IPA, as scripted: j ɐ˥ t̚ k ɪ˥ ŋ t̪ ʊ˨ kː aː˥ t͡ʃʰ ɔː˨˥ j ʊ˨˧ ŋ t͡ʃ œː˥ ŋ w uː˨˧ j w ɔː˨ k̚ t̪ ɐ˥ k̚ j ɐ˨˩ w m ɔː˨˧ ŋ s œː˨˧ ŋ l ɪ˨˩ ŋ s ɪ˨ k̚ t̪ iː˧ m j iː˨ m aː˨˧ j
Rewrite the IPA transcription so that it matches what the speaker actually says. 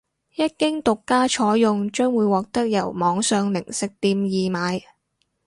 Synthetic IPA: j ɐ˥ t̚ k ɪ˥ ŋ t̪ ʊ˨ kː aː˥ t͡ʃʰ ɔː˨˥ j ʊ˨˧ ŋ t͡ʃ œː˥ ŋ w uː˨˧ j w ɔː˨ k̚ t̪ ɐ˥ k̚ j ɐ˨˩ w m ɔː˨˧ ŋ s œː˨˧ ŋ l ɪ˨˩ ŋ s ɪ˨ k̚ t̪ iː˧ m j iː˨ m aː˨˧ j